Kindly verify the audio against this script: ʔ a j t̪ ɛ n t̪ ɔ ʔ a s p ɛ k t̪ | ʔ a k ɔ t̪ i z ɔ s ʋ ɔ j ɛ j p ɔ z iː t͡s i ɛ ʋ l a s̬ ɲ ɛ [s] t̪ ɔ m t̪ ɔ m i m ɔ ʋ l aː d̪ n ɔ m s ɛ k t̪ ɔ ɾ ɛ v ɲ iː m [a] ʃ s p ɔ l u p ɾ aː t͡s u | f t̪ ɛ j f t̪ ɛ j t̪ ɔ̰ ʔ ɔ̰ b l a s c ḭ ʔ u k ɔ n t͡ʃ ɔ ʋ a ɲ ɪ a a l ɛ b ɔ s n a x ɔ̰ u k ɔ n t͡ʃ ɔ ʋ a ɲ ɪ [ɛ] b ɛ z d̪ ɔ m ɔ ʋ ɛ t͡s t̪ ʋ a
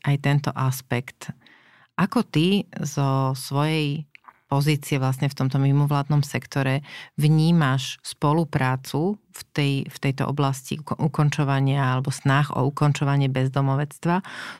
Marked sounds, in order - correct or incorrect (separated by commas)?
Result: incorrect, correct, correct